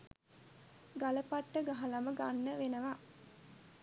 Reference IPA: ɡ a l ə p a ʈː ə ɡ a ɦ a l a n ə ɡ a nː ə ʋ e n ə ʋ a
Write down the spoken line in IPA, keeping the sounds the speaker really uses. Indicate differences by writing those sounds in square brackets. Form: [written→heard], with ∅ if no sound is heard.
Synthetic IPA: ɡ a l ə p a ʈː ə ɡ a ɦ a l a [n→m] ə ɡ a nː ə ʋ e n ə ʋ a